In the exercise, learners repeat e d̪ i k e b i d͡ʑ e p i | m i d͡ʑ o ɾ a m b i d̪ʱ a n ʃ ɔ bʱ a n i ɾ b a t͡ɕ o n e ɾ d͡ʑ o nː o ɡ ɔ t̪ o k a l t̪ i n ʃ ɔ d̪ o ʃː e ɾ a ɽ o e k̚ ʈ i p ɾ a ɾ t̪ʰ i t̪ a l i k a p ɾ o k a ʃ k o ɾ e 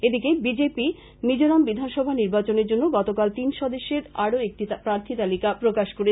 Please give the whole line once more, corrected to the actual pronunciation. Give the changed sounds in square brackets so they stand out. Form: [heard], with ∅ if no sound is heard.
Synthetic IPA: e d̪ i k e b i d͡ʑ e p i | m i d͡ʑ o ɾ a m b i d̪ʱ a n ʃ ɔ bʱ a n i ɾ b a t͡ɕ o n e ɾ d͡ʑ o nː o ɡ ɔ t̪ o k a l t̪ i n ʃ ɔ d̪ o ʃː e ɾ a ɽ o e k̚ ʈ i p ɾ a ɾ t̪ʰ i t̪ a l i k a p ɾ o k a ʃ k o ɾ e